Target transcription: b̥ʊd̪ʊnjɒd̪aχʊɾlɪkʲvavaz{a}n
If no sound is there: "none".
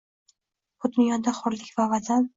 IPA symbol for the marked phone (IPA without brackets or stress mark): a